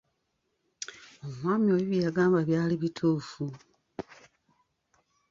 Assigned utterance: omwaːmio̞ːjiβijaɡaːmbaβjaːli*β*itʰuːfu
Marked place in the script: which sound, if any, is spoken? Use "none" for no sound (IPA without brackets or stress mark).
β